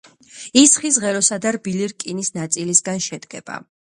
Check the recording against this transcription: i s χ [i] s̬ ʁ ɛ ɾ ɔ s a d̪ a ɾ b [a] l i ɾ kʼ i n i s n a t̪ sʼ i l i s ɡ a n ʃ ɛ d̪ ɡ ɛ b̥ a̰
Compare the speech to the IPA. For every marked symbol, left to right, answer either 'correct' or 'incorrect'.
correct, incorrect

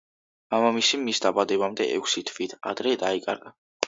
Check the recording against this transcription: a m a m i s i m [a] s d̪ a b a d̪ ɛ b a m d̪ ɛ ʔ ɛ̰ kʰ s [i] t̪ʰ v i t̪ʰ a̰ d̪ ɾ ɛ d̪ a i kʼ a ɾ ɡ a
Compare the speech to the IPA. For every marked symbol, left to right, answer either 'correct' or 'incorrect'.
incorrect, correct

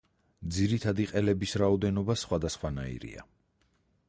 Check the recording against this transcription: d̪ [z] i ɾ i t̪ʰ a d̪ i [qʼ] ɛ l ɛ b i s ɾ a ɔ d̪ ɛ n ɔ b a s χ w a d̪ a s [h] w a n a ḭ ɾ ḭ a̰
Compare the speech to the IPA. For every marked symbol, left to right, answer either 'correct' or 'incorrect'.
correct, correct, incorrect

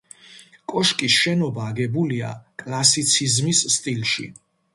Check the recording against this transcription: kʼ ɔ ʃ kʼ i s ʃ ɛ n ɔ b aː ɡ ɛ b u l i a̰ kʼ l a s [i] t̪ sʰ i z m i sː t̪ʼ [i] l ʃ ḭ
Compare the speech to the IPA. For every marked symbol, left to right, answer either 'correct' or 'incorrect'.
correct, correct

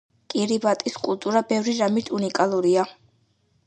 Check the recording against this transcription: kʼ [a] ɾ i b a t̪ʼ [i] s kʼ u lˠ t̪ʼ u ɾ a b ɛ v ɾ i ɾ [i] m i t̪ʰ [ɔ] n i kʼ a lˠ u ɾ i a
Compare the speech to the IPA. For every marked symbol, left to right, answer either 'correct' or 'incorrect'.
incorrect, correct, incorrect, incorrect

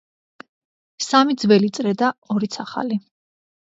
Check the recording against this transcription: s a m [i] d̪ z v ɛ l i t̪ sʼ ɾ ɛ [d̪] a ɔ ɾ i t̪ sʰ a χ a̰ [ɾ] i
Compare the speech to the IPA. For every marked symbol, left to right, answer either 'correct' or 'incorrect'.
correct, correct, incorrect

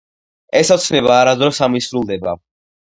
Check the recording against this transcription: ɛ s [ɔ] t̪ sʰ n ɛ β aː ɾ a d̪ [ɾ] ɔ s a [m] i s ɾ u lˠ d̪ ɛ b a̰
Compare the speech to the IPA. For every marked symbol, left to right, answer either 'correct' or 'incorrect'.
correct, correct, correct

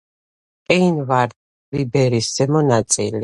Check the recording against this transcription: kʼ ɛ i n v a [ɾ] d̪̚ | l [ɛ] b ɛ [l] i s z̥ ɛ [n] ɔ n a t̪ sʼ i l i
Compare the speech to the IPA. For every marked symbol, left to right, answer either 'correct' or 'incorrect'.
correct, incorrect, incorrect, incorrect

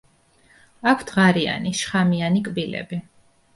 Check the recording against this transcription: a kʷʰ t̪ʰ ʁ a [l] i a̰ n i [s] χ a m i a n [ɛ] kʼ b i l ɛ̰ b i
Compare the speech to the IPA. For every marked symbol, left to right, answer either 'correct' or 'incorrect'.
incorrect, incorrect, incorrect

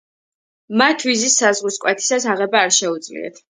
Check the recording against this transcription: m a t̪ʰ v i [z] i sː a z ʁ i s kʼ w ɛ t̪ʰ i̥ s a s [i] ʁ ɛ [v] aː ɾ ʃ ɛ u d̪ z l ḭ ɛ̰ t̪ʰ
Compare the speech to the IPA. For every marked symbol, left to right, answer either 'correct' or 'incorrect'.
correct, incorrect, incorrect

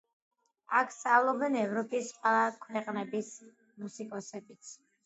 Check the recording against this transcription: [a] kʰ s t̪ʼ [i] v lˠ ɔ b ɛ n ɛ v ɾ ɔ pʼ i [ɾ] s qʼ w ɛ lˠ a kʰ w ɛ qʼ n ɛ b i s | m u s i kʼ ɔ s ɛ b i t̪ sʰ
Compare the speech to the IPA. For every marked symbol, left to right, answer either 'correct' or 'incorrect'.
correct, incorrect, incorrect

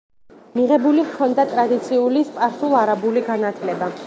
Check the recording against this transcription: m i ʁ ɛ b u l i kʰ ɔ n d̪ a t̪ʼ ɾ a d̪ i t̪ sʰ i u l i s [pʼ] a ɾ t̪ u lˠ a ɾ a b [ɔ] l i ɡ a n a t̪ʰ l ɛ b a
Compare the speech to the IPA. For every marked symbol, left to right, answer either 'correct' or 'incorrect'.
correct, incorrect

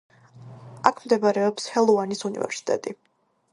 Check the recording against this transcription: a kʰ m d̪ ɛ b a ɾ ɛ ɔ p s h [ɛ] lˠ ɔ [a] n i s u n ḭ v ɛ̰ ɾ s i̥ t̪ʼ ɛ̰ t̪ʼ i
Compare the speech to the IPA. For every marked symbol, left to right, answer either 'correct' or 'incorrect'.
correct, correct

